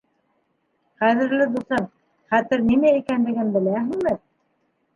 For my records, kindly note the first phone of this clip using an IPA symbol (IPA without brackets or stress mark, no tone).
χ